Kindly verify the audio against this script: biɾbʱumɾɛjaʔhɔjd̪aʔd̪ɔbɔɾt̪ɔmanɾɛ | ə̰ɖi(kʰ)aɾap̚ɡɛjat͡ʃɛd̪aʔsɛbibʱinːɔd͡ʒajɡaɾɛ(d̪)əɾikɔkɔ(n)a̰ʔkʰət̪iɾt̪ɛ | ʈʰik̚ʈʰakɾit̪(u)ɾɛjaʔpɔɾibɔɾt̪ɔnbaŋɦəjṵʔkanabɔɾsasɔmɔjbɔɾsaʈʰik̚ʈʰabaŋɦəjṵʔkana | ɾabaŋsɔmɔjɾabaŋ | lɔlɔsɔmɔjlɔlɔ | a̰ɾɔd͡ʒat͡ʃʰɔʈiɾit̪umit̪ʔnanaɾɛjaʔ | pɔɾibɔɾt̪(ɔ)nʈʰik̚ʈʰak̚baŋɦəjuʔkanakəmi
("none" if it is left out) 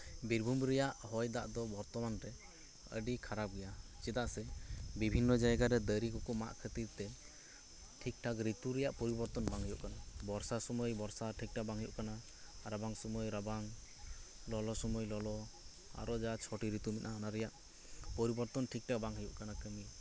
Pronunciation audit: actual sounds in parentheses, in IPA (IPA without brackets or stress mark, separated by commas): kʰ, d̪, m, u, ɔ